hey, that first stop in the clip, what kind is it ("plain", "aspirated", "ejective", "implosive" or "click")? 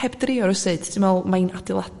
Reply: plain